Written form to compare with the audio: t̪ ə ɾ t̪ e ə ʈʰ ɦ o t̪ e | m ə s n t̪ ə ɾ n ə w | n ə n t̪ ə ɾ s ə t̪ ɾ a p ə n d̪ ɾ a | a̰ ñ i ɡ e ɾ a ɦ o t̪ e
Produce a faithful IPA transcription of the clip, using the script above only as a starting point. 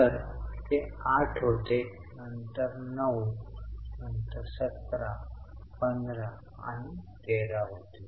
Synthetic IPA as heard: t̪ ə ɾ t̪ e a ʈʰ ɦ o t̪ e | n ə n t̪ ə ɾ n ə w | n ə n t̪ ə ɾ s ə t̪ ɾ a p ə n d̪ ɾ a | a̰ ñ i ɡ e ɾ a ɦ o t̪ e